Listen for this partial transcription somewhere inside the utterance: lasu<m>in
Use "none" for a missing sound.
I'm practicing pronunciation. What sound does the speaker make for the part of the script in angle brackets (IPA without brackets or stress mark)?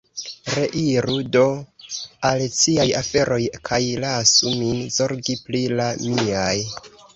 m